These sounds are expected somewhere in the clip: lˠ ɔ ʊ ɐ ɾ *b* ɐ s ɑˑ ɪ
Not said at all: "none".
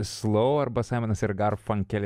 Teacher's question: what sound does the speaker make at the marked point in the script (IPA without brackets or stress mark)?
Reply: b